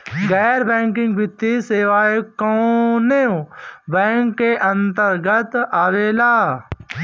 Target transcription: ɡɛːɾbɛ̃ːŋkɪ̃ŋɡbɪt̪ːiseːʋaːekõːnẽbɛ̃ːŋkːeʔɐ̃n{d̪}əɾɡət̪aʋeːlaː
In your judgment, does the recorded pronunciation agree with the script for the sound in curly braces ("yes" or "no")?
no